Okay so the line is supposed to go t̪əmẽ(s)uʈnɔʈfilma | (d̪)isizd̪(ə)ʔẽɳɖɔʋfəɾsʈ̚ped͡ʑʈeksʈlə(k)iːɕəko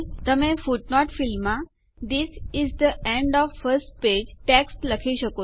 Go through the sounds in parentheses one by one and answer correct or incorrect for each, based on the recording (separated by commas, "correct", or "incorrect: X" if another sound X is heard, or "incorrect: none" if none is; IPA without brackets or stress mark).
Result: incorrect: f, correct, correct, incorrect: kʰ